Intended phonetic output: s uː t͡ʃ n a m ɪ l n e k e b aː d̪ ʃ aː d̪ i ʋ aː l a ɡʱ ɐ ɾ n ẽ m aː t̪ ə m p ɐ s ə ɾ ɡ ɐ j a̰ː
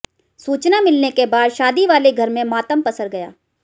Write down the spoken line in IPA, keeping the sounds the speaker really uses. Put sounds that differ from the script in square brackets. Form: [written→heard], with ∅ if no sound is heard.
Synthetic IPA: s uː t͡ʃ n a m ɪ l n e k e b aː d̪ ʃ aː d̪ i ʋ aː l [a→e] ɡʱ ɐ ɾ [n→m] ẽ m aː t̪ ə m p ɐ s ə ɾ ɡ ɐ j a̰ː